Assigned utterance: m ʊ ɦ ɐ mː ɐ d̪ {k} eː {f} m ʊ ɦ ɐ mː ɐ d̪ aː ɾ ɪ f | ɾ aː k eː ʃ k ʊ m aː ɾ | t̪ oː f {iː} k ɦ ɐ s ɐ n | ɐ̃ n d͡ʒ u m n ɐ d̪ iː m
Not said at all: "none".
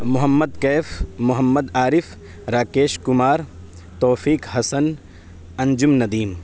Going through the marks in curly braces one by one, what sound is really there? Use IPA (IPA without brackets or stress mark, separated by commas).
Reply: k, f, iː